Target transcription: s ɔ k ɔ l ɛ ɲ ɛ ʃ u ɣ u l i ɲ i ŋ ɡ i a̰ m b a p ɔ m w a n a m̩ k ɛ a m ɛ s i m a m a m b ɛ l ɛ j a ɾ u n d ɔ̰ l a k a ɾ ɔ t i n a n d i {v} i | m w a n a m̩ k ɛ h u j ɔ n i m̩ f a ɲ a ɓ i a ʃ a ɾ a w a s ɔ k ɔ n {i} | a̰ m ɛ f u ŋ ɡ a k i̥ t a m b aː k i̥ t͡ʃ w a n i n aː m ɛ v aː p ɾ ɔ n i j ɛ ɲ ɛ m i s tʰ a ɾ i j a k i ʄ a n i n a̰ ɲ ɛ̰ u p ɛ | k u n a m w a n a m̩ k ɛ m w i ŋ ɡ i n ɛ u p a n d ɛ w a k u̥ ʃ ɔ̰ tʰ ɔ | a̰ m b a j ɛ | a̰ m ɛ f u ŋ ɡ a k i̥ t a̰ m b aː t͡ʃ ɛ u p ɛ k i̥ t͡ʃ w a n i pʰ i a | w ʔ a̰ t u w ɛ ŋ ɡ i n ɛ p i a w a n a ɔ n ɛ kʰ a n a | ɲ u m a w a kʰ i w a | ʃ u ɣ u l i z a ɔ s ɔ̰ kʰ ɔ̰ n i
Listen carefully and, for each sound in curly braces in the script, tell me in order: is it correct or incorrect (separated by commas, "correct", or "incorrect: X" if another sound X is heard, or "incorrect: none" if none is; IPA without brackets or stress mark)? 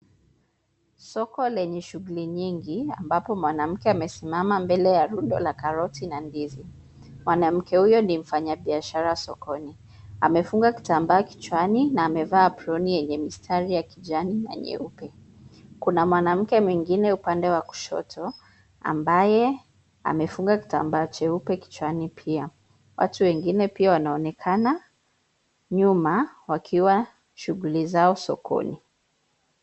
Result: incorrect: z, correct